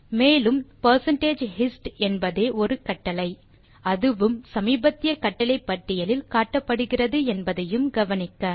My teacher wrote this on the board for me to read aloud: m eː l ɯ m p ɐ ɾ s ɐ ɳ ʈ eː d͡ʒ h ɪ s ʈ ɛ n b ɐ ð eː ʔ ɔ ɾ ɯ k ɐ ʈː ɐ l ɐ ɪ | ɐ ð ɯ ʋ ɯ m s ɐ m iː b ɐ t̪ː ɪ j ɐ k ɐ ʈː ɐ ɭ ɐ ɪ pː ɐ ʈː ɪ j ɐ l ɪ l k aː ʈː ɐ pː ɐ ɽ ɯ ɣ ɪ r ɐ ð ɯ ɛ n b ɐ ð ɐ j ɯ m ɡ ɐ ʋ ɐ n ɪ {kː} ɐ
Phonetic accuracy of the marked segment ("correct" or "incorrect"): correct